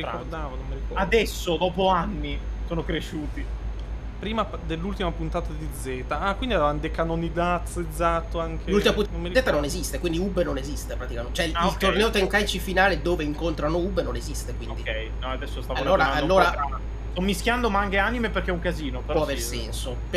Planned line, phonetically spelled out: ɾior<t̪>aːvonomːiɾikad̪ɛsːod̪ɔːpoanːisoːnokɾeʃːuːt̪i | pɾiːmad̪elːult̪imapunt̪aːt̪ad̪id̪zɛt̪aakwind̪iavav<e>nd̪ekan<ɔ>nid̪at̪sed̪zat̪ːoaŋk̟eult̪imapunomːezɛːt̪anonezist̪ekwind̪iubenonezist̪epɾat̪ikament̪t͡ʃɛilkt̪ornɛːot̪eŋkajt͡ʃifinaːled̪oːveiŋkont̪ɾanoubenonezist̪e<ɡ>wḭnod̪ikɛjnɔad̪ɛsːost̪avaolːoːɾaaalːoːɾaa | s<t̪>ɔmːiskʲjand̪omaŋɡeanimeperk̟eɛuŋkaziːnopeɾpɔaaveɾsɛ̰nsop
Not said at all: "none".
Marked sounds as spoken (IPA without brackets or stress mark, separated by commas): d̪, a, o, k, t̪